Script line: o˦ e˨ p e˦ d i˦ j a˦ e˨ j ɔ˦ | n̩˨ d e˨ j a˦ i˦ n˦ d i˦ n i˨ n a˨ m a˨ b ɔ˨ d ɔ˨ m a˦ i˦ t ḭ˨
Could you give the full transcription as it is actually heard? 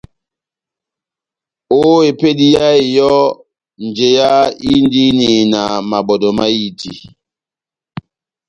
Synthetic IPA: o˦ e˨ p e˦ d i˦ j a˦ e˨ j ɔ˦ | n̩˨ d͡ʒ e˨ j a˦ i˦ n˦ d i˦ n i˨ n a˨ m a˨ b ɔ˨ d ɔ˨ m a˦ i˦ t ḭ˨

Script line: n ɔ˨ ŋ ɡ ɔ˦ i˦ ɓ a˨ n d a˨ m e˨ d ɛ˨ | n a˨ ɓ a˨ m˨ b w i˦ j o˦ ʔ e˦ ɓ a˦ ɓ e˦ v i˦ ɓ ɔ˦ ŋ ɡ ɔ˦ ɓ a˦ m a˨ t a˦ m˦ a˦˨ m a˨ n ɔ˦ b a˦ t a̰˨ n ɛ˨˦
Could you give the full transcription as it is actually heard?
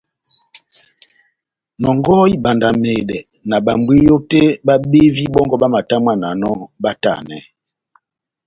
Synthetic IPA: n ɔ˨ ŋ ɡ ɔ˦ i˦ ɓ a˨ n d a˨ m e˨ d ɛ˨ | n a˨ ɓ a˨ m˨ b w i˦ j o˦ t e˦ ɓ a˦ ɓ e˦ v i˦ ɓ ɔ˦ ŋ ɡ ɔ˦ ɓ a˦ m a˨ t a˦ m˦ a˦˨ n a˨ n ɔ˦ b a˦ t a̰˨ n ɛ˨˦

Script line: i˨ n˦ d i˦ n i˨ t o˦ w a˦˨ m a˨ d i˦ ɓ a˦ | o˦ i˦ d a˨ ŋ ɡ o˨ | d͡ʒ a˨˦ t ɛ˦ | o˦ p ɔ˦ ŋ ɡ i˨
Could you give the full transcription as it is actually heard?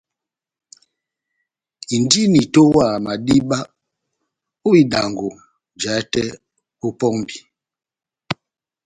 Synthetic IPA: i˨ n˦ d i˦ n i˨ t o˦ w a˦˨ m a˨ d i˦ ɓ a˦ | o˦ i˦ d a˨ ŋ ɡ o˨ | d͡ʒ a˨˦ t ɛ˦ | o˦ p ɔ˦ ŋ b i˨

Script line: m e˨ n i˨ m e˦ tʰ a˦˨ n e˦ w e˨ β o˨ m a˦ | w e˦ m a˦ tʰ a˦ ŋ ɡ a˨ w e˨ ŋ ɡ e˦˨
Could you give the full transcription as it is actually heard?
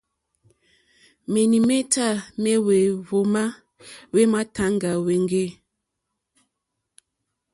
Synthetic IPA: m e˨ n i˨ m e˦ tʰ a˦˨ m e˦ w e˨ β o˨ m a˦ | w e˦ m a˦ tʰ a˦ ŋ ɡ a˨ w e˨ ŋ ɡ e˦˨

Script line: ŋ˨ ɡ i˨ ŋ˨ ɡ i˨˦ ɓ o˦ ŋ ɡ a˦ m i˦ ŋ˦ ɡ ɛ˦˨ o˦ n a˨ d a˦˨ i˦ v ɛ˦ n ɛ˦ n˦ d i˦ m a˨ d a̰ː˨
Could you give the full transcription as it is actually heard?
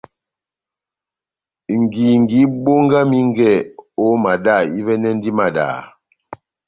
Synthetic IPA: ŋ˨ ɡ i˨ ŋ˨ ɡ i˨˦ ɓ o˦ ŋ ɡ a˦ m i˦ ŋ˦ ɡ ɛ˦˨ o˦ m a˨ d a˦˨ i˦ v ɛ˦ n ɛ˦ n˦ d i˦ m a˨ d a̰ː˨

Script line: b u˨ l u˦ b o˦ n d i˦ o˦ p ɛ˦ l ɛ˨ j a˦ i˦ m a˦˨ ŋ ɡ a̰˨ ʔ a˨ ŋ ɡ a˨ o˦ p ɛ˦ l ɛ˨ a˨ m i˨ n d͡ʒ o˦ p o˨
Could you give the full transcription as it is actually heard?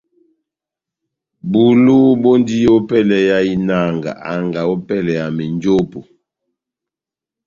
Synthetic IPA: b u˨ l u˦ b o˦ n d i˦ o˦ p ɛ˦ l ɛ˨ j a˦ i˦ n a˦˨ ŋ ɡ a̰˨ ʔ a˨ ŋ ɡ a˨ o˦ p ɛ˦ l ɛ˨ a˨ m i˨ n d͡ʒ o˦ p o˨

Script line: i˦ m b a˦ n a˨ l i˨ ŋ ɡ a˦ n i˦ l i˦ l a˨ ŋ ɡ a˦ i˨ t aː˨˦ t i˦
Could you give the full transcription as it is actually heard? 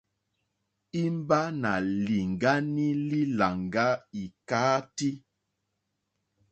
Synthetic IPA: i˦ m b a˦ n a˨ l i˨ ŋ ɡ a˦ n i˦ l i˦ l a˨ ŋ ɡ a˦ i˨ k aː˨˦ t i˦

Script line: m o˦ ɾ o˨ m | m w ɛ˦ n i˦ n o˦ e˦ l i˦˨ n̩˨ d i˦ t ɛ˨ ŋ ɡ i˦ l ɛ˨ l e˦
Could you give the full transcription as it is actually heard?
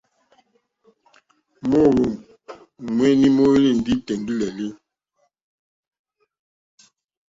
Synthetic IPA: m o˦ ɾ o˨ m | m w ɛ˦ n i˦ m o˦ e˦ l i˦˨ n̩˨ d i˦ t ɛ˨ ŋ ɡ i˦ l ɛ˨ l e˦

